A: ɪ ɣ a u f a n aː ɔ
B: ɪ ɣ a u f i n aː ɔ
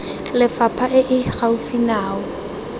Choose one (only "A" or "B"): B